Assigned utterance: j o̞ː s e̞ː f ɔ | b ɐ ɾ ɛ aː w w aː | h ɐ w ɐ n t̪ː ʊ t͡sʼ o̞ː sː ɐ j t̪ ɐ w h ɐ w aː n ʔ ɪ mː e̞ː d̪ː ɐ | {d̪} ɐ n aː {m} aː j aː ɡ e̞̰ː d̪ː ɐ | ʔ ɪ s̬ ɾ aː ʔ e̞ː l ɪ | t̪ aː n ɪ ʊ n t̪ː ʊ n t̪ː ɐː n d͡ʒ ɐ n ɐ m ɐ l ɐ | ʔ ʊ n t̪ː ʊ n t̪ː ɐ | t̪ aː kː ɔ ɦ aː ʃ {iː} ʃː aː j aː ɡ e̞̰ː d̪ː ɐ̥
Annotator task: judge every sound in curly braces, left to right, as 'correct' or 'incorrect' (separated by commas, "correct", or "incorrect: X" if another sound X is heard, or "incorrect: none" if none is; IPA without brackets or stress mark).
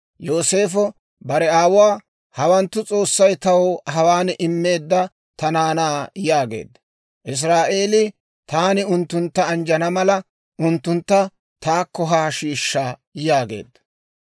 incorrect: t̪, incorrect: n, correct